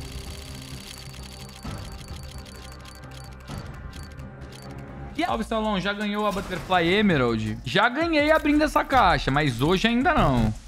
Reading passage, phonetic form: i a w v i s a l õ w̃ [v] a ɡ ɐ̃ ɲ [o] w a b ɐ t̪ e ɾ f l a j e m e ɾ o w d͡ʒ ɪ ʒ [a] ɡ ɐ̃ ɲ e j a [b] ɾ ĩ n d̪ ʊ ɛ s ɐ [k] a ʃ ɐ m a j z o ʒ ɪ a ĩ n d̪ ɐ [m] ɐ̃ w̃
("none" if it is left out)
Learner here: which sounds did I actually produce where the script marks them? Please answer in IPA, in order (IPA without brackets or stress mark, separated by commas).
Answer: ʒ, o, a, b, k, n